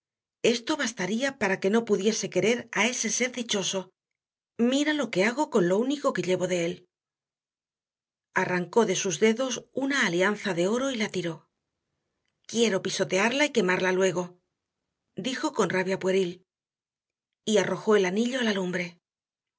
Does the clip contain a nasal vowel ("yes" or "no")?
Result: no